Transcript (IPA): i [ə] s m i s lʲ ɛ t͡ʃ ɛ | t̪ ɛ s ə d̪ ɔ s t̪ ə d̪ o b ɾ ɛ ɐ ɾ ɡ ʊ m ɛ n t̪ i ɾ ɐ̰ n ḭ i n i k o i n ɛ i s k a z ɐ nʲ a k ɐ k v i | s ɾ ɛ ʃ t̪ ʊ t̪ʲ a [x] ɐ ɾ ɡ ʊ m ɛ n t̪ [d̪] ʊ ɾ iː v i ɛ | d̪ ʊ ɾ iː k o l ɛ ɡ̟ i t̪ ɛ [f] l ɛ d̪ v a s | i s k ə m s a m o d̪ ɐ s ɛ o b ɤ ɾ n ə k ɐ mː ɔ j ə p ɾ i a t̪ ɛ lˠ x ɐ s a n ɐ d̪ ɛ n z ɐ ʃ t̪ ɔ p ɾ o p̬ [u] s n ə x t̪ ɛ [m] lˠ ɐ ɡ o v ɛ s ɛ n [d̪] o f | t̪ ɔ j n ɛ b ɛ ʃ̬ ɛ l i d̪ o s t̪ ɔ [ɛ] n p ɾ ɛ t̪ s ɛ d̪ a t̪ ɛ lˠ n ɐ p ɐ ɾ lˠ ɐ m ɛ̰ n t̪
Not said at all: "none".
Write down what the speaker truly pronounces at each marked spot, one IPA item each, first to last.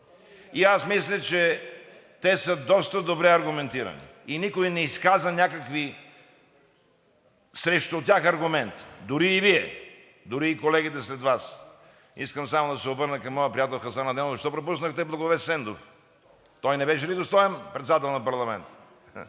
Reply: a, x, d̪, s, u, b, d̪, ɛ

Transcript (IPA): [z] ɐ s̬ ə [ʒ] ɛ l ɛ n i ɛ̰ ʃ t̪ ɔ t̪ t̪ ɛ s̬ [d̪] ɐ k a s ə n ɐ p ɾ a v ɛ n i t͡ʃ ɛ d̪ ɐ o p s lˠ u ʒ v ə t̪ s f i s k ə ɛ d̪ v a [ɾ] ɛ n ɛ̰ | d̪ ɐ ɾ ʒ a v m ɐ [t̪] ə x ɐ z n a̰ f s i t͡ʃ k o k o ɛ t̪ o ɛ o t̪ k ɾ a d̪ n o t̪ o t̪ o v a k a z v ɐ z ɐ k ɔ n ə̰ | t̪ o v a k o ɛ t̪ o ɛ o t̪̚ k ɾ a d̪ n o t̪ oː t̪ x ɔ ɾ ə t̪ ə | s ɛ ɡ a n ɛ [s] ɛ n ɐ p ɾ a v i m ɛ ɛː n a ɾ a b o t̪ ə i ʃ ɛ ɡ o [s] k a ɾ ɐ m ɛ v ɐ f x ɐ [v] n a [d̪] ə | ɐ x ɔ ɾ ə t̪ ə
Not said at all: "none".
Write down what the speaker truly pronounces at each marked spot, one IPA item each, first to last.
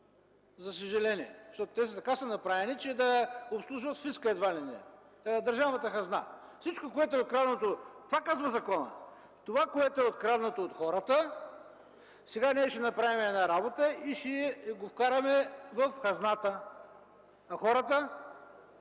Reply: z, ʒ, t̪, l, t̪, ʃ, f, z, t̪

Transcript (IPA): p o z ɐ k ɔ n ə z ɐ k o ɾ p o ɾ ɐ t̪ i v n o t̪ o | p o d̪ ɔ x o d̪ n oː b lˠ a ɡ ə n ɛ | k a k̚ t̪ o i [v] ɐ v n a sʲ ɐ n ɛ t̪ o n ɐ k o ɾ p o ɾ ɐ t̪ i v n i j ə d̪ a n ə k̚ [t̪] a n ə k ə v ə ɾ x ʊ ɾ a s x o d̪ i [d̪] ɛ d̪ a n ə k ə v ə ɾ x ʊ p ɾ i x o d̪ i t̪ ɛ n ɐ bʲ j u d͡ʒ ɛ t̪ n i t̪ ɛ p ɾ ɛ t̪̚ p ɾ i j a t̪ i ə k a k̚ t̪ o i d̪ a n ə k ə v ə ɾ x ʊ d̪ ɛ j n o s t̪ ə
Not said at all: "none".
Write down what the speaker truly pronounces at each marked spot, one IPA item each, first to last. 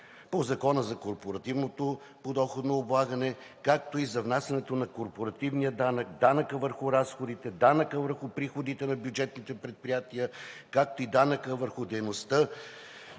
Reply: z, d̪, t̪

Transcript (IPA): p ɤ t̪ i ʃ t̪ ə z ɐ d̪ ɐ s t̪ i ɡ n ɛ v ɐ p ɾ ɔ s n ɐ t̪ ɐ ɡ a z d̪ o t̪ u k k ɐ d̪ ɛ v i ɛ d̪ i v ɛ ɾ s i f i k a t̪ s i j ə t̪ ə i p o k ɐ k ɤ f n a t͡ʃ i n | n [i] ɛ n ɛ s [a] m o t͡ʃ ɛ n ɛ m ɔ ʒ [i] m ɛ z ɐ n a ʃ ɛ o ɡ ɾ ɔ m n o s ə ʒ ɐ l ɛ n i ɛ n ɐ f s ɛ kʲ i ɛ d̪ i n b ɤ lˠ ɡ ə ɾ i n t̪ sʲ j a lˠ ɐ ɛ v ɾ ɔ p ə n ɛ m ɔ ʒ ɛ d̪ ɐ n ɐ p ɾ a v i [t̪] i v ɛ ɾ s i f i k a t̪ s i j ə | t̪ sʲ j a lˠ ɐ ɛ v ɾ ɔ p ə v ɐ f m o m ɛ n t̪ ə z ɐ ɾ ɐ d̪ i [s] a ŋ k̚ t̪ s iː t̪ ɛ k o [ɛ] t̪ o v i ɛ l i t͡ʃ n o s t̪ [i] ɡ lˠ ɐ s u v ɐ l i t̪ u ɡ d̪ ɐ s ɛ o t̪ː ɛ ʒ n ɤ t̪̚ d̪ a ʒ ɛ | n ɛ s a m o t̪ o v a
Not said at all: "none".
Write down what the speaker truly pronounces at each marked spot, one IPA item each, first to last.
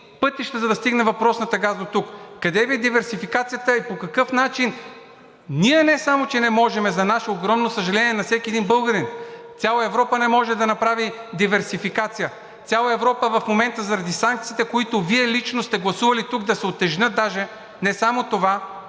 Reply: i, a, ɛ, d̪, s, i, ɛ

